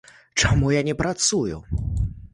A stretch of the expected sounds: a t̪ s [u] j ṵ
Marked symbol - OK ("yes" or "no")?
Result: yes